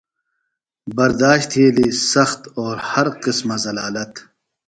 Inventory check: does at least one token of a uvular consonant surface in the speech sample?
yes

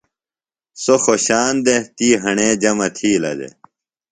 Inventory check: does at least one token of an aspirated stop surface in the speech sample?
yes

